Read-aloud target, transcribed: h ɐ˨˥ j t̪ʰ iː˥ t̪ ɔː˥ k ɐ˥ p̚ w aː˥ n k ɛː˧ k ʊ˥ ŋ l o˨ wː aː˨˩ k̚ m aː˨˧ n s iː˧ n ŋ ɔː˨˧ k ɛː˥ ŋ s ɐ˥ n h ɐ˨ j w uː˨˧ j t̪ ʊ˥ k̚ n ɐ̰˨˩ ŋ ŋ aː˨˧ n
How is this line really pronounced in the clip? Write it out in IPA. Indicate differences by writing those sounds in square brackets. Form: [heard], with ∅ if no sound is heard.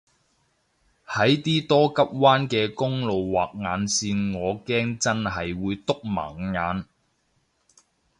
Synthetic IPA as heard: h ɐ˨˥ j [t̪] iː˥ t̪ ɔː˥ k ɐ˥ p̚ w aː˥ n k ɛː˧ k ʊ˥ ŋ l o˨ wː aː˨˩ k̚ [ŋ] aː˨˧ n s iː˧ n ŋ ɔː˨˧ k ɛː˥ ŋ [t͡s] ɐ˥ n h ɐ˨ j w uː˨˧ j t̪ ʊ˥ k̚ [m] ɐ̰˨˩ ŋ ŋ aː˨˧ n